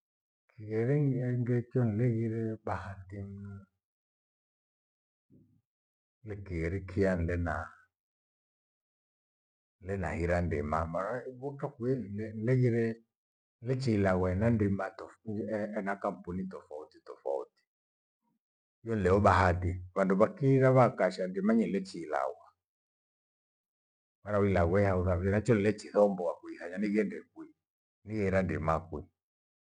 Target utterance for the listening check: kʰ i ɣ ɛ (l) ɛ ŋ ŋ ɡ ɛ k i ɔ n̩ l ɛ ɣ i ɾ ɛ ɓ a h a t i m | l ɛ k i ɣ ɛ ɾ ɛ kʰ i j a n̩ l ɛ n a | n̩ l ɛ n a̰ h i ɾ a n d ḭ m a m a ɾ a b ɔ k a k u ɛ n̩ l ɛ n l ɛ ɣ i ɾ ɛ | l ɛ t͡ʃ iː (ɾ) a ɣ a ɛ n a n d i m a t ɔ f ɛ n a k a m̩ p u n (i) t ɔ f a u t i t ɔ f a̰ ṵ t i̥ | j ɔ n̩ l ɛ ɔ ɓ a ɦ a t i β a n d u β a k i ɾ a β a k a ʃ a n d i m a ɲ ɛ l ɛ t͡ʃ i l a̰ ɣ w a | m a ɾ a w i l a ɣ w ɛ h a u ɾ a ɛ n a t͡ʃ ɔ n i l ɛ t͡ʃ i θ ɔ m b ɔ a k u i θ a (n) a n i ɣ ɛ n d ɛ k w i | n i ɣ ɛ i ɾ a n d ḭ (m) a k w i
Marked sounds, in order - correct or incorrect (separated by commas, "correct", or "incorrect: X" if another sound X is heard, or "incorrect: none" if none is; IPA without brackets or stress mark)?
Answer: incorrect: ɾ, incorrect: l, correct, incorrect: ɲ, correct